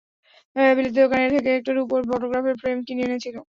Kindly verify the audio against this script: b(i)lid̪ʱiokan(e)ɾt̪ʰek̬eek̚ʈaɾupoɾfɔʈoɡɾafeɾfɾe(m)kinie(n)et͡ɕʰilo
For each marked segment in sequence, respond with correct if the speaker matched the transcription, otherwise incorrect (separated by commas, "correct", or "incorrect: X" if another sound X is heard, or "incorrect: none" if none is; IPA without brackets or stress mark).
correct, correct, correct, correct